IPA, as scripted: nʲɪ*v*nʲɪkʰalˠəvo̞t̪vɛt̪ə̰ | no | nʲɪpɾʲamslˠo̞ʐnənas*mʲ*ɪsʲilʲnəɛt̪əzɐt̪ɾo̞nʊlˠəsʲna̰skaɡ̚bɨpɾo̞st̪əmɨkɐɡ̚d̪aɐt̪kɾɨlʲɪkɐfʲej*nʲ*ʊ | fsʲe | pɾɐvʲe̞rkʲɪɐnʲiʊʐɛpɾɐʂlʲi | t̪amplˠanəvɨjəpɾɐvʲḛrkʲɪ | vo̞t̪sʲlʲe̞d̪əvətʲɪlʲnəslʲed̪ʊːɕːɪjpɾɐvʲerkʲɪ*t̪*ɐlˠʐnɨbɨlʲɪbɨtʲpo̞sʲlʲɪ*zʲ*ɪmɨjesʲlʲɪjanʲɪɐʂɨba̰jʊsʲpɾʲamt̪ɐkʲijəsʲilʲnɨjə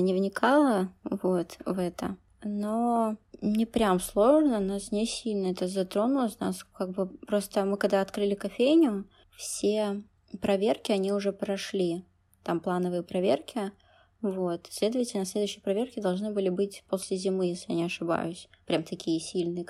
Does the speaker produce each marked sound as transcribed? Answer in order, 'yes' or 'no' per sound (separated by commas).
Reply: yes, no, yes, no, yes